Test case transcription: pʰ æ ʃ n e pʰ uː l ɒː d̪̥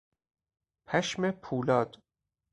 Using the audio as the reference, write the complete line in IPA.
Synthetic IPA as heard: pʰ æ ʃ m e pʰ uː l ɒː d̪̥